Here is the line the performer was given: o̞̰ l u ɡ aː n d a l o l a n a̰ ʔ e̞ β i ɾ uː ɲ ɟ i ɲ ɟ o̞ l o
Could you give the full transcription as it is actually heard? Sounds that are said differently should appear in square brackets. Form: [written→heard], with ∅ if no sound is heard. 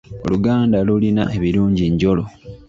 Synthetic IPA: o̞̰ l u ɡ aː n d a l [o→u] l [a→i] n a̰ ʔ e̞ β i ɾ uː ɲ ɟ i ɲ ɟ o̞ l o